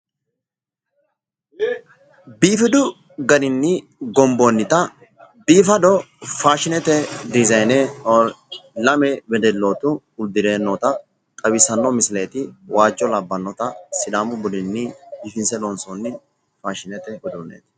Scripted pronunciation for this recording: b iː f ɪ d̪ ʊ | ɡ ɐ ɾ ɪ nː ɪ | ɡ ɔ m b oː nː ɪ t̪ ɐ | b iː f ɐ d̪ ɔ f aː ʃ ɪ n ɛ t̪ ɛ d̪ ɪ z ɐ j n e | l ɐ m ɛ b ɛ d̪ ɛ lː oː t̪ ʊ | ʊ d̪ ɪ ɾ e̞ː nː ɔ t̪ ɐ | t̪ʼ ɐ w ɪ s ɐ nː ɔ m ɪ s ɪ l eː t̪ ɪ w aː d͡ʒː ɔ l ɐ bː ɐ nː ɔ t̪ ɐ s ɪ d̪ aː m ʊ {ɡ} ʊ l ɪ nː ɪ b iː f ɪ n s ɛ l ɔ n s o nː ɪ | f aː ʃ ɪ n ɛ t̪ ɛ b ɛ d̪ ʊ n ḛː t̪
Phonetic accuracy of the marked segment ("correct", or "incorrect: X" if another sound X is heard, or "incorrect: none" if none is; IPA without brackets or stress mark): incorrect: b